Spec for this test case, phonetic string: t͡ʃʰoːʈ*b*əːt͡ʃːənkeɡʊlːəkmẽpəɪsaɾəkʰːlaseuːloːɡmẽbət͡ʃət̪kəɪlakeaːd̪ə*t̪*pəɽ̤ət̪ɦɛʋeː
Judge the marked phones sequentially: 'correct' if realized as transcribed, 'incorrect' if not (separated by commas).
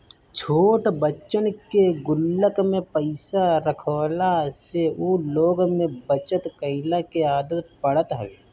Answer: correct, correct